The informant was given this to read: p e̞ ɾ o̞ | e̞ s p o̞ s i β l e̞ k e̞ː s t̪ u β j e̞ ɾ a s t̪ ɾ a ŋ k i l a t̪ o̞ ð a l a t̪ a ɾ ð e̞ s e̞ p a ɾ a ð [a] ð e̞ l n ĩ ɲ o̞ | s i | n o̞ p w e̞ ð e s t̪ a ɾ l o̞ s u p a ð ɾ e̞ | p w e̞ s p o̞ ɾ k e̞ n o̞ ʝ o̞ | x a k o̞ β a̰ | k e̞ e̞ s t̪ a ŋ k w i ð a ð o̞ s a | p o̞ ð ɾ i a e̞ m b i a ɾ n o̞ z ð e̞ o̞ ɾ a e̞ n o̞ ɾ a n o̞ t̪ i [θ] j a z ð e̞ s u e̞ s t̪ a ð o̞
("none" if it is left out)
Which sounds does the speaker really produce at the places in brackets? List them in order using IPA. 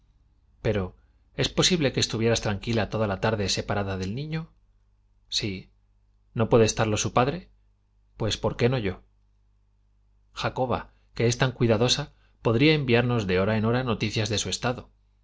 a, θ

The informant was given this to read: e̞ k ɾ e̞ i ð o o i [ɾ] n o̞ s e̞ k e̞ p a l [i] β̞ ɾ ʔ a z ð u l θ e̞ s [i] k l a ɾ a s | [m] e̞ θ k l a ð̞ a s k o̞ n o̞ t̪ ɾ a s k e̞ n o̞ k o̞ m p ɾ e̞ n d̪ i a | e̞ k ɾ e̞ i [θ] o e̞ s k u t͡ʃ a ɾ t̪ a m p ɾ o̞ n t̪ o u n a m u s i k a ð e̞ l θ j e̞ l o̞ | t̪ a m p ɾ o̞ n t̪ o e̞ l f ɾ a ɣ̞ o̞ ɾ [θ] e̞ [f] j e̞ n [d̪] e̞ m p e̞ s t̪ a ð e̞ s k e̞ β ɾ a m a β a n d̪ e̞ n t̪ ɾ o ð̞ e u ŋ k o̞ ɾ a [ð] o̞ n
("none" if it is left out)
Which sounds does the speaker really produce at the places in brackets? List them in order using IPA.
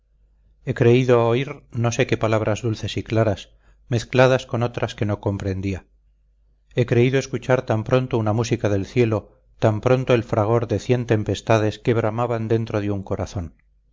ɾ, a, i, m, ð, ð, θ, t̪, θ

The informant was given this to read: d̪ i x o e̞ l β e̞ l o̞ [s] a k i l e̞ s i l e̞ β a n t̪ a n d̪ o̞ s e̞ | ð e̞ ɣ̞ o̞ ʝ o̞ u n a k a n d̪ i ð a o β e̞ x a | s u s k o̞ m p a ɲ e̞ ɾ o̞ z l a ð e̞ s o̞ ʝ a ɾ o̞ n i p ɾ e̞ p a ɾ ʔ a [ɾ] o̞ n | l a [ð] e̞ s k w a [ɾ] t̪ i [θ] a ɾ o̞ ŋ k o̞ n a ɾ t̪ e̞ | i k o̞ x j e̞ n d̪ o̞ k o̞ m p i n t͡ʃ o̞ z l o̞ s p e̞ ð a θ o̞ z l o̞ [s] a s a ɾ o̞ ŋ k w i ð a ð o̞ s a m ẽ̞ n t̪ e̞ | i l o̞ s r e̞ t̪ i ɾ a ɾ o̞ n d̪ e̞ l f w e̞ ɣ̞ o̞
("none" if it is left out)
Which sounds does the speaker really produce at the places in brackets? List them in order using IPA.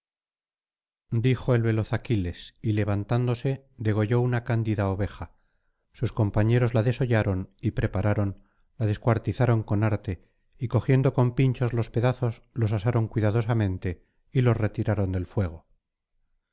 θ, ɾ, ð, ɾ, θ, s

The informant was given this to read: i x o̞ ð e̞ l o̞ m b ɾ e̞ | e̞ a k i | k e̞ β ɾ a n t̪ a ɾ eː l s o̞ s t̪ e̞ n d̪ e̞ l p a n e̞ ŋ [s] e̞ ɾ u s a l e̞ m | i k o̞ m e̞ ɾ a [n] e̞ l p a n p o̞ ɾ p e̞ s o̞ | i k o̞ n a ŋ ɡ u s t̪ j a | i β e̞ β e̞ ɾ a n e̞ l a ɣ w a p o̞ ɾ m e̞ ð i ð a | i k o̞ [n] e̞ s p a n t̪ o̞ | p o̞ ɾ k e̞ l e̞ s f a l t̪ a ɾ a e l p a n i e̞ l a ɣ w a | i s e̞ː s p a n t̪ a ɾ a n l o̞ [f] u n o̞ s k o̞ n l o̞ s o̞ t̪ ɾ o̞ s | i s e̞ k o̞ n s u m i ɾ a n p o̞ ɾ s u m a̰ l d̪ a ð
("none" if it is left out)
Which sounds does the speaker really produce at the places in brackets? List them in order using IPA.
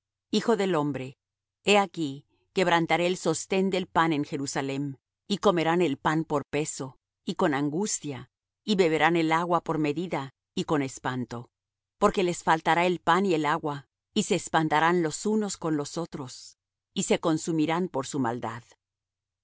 x, n, n, s

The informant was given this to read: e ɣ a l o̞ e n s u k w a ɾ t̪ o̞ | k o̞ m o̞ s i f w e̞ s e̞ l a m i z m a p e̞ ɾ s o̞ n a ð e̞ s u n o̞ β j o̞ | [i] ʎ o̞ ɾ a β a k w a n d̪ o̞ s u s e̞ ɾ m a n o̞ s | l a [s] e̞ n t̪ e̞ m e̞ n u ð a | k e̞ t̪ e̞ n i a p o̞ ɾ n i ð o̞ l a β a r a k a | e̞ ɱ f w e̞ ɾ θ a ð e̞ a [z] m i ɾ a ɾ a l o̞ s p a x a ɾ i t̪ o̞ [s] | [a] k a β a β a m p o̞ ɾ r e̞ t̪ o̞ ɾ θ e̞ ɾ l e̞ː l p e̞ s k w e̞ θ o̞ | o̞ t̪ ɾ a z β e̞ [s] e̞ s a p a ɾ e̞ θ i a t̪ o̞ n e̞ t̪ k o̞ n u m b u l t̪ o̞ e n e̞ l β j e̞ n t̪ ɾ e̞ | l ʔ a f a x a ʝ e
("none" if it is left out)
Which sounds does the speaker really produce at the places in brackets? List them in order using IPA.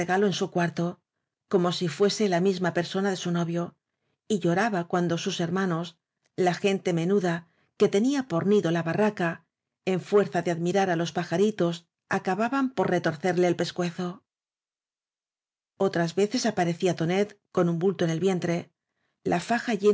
i, x, ð, s, a, θ

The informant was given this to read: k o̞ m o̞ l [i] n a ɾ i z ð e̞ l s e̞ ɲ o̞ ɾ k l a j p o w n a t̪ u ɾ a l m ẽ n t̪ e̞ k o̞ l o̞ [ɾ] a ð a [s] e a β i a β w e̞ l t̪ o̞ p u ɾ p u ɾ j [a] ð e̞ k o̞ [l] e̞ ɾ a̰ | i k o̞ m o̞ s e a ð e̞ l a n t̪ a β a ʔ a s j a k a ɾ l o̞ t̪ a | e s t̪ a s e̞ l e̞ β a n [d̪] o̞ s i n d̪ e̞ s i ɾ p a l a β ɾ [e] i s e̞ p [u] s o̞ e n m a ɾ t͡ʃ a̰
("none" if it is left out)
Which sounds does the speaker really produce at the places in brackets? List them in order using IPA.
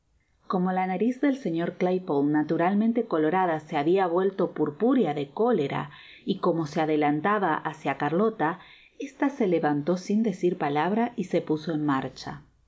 a, ɾ, s, a, l, t̪, a, u

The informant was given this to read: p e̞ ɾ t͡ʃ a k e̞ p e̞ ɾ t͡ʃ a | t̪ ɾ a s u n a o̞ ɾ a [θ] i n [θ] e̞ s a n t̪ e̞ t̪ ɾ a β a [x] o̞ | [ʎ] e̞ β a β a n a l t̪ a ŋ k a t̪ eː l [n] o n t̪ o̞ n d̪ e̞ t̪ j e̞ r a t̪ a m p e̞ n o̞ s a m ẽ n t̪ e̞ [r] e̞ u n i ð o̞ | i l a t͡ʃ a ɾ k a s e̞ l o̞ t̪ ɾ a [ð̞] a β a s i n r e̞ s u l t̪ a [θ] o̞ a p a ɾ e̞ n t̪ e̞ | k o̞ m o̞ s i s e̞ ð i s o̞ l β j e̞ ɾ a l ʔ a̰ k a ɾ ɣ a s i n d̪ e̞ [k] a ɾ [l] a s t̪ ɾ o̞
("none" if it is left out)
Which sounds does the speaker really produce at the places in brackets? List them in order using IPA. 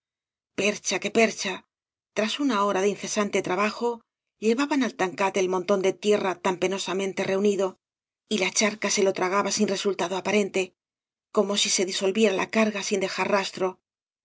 ð, θ, x, ʎ, m, r, ɣ̞, ð, x, r

